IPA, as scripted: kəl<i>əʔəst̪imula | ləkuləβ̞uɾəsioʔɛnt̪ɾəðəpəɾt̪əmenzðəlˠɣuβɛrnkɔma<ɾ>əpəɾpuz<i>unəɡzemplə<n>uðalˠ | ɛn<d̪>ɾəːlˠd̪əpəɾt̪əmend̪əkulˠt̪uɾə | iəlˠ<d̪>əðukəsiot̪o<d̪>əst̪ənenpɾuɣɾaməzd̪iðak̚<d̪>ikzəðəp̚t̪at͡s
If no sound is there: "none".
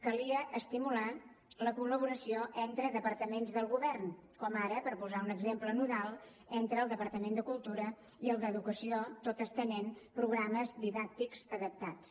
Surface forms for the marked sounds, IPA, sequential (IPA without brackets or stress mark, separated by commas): i, ɾ, a, n, t̪, d̪, t̪, t̪